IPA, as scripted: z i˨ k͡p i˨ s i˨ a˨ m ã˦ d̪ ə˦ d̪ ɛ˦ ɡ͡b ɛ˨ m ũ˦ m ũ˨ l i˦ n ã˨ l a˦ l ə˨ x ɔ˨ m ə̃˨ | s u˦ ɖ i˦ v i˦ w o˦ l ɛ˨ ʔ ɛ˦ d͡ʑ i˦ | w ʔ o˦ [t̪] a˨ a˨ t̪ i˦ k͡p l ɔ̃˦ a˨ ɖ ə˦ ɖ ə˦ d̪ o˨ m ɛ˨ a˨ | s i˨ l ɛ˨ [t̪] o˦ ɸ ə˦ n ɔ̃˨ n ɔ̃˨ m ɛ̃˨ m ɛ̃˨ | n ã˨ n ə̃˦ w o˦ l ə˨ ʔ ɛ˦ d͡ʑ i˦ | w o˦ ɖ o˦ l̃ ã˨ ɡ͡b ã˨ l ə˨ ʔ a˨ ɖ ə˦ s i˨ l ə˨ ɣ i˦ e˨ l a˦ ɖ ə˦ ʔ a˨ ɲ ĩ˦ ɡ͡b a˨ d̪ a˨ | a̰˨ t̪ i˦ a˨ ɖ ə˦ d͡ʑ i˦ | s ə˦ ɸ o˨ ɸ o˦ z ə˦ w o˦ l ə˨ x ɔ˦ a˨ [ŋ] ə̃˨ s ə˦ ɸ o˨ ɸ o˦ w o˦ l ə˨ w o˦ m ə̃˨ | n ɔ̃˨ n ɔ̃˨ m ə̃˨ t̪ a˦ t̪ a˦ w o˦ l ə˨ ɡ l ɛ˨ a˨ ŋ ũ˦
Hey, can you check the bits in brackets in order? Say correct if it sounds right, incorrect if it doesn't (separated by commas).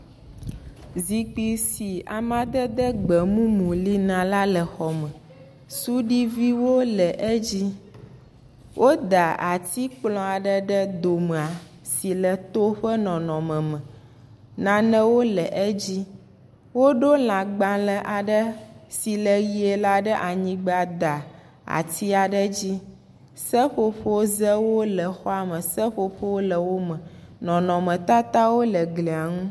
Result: incorrect, correct, incorrect